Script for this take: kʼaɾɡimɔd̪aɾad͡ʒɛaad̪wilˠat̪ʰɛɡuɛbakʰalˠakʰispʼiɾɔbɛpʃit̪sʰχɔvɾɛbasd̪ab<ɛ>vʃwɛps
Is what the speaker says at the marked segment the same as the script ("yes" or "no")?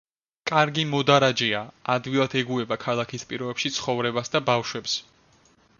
no